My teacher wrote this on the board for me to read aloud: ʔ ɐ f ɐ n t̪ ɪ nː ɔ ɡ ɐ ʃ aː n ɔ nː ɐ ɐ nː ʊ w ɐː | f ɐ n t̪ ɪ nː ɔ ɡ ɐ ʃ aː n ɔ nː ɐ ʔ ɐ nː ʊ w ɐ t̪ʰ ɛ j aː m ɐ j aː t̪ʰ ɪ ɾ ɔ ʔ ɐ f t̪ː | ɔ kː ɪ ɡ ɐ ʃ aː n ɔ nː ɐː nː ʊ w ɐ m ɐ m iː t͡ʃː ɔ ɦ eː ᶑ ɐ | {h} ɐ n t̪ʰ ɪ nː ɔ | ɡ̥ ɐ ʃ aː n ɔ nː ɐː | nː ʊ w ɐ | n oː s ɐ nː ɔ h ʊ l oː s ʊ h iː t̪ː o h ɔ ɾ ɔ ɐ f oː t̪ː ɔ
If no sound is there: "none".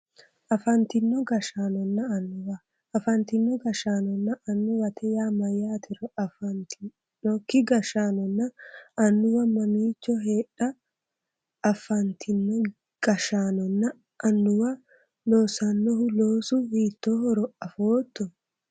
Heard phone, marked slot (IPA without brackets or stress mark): f